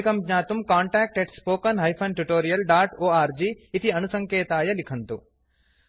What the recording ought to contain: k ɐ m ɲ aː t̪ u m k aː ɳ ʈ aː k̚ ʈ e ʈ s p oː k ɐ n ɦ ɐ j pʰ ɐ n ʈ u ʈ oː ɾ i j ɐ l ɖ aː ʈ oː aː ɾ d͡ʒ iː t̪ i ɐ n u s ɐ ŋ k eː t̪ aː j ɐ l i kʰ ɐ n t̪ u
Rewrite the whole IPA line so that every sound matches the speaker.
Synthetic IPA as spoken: k ɐ m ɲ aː t̪ u m k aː ɳ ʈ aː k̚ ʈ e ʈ s p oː k ɐ n ɦ ɐ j pʰ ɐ n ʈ u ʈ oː ɾ i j ɐ l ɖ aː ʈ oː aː ɾ d͡ʒ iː t̪ i ɐ n u s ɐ ŋ k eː t̪ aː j ɐ l i kʰ ɐ n t̪ u